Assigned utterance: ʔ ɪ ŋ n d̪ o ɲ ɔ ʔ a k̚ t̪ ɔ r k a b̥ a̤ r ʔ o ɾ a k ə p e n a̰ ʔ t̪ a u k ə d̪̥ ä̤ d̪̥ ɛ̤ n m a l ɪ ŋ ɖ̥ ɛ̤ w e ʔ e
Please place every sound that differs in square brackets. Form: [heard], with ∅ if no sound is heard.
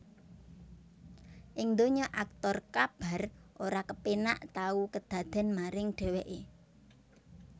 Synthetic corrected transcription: ʔ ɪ ŋ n d̪ o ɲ ɔ ʔ a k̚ t̪ ɔ r k a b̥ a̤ r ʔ o ɾ a k ə p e n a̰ ʔ t̪ a u k ə d̪̥ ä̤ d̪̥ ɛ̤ n m a [ɾ] ɪ ŋ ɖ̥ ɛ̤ w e ʔ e